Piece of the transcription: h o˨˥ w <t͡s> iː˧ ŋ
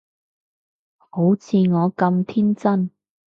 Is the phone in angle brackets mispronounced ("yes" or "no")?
yes